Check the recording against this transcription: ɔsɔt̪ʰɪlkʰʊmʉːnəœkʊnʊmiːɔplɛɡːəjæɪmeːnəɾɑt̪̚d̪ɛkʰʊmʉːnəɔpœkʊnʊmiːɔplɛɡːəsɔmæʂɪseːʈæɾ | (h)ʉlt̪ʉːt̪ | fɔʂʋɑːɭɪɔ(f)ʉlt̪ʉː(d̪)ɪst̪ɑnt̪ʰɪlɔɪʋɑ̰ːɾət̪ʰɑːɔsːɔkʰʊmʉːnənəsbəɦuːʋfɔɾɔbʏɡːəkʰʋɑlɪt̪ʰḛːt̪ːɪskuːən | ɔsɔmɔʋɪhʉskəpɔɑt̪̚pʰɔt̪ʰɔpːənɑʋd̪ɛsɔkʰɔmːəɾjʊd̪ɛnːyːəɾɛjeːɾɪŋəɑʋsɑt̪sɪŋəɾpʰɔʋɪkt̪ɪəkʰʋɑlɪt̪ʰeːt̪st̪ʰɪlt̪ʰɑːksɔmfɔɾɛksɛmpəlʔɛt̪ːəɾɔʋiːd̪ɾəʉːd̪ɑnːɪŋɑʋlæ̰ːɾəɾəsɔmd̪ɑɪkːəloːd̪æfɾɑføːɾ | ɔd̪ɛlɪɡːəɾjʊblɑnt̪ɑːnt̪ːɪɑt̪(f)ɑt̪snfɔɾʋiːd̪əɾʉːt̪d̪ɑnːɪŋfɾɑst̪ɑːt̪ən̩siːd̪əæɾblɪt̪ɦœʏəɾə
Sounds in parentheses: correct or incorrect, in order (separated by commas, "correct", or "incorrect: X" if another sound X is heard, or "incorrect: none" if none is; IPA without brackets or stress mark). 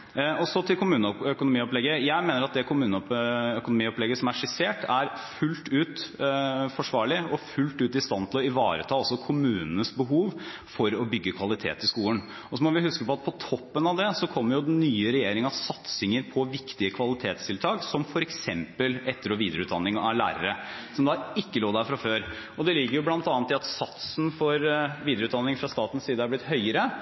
incorrect: f, correct, incorrect: t̪, incorrect: s